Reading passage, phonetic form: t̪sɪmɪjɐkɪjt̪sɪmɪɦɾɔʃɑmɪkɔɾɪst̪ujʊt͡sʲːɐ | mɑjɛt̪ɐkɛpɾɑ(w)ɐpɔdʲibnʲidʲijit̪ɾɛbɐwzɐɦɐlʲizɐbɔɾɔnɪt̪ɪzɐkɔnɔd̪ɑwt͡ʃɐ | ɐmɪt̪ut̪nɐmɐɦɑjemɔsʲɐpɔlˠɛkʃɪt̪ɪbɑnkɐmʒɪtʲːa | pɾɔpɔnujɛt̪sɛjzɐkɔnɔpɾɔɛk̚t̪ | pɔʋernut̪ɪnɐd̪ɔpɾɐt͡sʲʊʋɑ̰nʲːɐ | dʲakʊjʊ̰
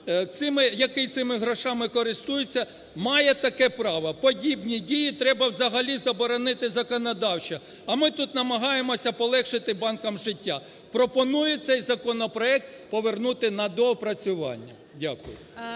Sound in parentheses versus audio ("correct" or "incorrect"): incorrect